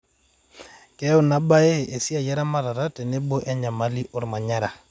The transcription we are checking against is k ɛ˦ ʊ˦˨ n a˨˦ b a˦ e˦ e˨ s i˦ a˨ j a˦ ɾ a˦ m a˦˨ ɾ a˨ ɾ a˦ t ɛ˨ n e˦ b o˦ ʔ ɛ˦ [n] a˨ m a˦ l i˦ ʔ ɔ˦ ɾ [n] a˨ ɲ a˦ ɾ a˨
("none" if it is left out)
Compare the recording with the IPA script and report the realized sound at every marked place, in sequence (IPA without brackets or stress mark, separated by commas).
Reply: ɲ, m